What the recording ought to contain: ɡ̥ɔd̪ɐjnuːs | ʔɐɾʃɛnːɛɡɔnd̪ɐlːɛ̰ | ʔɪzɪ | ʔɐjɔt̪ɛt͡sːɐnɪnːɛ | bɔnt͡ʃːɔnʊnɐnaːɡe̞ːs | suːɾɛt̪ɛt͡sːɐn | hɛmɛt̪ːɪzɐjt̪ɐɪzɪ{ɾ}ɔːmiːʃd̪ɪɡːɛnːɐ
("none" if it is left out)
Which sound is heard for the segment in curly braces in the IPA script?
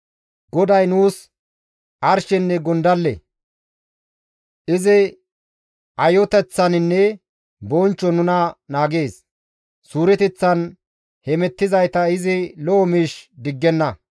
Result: l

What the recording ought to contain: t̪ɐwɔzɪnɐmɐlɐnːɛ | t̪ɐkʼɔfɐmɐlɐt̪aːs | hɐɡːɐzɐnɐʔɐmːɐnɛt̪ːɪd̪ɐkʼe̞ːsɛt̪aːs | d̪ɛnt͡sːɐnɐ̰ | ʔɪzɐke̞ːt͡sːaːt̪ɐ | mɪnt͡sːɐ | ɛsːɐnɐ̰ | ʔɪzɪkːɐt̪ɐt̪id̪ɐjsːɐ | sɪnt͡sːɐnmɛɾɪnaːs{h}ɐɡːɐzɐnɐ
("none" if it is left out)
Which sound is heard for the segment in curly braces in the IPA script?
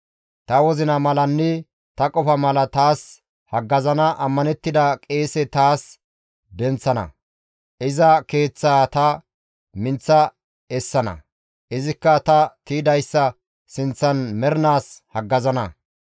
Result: h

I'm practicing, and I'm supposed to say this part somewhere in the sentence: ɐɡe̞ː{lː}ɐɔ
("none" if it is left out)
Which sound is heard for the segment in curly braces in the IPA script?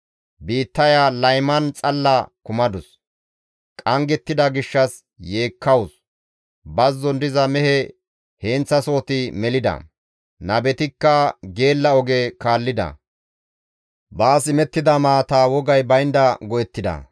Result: lː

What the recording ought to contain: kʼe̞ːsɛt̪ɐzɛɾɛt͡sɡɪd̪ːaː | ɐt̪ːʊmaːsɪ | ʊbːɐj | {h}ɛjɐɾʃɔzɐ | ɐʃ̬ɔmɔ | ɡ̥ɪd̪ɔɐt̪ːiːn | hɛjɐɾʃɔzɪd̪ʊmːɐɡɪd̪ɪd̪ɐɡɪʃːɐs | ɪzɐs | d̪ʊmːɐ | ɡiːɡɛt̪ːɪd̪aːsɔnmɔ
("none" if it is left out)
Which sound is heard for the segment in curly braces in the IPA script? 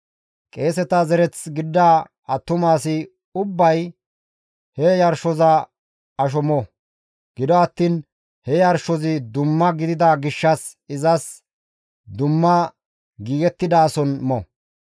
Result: h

